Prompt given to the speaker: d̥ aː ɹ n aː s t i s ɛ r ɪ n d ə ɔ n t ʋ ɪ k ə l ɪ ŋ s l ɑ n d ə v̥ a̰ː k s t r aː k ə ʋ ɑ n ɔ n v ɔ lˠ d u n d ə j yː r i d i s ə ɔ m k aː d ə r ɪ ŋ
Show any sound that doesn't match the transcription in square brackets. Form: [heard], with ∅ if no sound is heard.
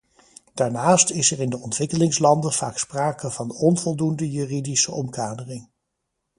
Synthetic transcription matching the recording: d̥ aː ɹ n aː s t [ɪ] s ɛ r ɪ n d ə ɔ n t ʋ ɪ k ə l ɪ ŋ s l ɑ n d ə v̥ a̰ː k s [p] r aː k ə [v] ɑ n ɔ n v ɔ lˠ d u n d ə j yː r i d i s ə ɔ m k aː d ə r ɪ ŋ